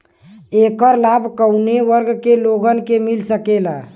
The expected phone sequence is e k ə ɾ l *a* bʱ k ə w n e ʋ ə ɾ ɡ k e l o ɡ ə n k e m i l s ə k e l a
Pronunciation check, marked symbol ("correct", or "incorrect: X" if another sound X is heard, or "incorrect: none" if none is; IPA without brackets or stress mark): correct